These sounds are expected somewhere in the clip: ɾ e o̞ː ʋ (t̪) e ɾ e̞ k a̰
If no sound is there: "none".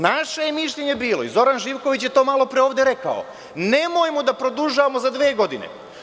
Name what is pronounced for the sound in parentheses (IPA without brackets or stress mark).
d̪